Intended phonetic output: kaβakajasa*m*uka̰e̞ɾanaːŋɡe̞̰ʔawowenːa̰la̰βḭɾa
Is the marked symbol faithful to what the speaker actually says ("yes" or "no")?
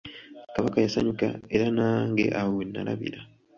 no